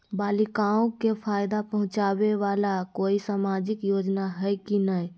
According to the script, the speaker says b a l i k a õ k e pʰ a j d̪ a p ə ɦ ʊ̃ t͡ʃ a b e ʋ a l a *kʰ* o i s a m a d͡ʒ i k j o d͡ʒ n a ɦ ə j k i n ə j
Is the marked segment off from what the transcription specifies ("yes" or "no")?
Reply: yes